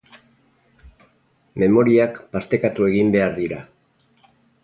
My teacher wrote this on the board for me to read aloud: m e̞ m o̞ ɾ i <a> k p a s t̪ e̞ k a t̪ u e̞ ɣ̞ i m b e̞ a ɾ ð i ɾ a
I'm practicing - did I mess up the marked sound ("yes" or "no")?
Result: no